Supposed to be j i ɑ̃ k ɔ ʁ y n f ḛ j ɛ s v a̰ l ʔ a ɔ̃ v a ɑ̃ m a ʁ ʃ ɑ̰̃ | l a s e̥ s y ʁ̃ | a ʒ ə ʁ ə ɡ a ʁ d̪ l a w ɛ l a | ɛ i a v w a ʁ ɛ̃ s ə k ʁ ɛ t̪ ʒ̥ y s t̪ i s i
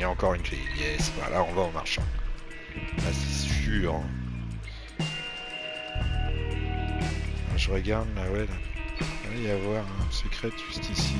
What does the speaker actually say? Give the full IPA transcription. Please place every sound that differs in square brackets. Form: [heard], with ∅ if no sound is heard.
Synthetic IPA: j [a] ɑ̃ k ɔ ʁ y n f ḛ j ɛ s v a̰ l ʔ a ɔ̃ v a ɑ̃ m a ʁ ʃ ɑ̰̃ | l a s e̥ s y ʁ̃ | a ʒ ə ʁ ə ɡ a ʁ d̪ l a w ɛ l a | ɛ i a v w a ʁ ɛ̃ s ə k [χ] ɛ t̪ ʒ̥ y s t̪ i s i